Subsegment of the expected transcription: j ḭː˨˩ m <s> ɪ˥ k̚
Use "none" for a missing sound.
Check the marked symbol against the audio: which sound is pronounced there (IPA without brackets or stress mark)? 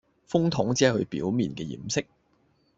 s